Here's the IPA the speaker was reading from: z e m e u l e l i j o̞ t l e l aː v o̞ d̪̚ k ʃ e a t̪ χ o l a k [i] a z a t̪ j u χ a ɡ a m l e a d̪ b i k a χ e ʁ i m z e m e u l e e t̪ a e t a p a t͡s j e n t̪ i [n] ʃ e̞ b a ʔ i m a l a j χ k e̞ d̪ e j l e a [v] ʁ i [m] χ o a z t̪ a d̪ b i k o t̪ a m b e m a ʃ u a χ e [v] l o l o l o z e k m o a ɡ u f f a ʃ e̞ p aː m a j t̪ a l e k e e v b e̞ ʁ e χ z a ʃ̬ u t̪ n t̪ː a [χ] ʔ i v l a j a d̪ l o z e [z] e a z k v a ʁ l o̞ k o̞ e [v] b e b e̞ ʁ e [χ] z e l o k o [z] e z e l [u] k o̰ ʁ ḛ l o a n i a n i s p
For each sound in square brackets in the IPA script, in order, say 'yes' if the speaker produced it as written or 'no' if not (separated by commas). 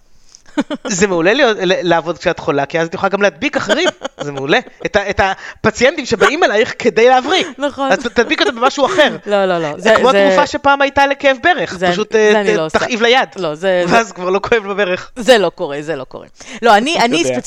yes, no, yes, no, no, yes, no, yes, yes, no, no